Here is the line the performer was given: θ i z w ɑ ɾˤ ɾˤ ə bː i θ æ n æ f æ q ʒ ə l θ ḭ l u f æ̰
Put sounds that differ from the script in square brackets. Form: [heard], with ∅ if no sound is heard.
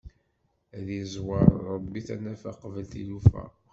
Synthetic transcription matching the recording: [ð] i z w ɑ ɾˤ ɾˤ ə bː i θ æ n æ f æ q [v] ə l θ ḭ l u f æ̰

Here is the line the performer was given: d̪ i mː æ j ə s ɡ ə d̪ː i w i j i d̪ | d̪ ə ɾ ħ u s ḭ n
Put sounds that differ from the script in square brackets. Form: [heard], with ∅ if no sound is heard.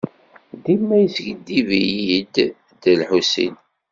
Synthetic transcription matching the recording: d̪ i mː æ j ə s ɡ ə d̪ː i [v] i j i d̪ | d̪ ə [l] ħ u s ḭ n

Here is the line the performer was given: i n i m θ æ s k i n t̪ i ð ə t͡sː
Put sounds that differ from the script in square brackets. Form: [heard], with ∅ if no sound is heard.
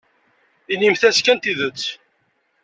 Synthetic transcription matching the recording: i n i m θ æ s k [æ] n t̪ i ð ə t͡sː

